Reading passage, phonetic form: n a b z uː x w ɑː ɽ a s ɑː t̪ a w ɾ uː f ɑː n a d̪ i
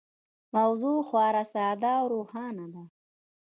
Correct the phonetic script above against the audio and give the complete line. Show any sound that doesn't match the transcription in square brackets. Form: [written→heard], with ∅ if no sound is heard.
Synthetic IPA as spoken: [n→m] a [b→w] z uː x w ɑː [ɽ→ɾ] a s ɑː [t̪→d̪] a w ɾ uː [f→h] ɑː n a d̪ [i→a]